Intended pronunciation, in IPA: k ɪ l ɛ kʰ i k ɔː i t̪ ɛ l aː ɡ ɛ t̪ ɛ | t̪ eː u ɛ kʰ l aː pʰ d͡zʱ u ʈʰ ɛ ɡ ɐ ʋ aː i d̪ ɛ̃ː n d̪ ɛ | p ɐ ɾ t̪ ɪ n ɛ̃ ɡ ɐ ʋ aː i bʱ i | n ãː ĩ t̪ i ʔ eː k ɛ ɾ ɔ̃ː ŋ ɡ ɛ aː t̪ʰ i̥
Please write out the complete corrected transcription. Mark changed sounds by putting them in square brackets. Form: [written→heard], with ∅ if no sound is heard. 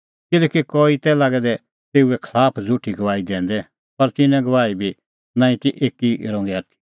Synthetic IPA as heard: k ɪ l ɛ [kʰ→k] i k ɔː i t̪ ɛ l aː ɡ ɛ [t̪→d̪] ɛ | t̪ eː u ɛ kʰ l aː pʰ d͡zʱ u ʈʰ [ɛ→i] ɡ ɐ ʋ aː i d̪ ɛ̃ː n d̪ ɛ | p ɐ ɾ t̪ ɪ n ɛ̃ ɡ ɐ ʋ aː i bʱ i | n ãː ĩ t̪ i ʔ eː k [ɛ→i] ɾ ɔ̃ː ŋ ɡ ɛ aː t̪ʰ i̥